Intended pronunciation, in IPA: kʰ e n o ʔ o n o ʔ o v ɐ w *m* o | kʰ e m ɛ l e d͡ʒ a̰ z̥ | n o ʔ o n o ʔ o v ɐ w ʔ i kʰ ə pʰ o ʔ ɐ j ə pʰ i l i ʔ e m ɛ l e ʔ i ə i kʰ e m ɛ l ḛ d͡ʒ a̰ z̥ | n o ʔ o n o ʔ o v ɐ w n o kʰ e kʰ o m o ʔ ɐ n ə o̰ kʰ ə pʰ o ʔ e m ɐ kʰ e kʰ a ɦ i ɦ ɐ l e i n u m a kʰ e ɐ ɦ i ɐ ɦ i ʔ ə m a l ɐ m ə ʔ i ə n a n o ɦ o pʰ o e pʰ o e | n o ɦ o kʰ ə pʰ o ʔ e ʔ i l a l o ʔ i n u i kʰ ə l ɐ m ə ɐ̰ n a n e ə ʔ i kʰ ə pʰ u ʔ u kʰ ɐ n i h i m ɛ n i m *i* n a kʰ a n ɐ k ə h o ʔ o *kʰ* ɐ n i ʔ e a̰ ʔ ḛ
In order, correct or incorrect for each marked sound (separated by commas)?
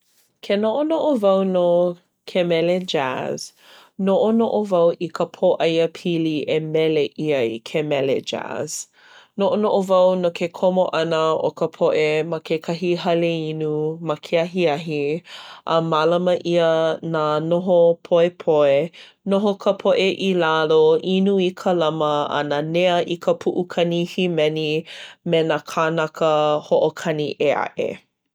incorrect, incorrect, correct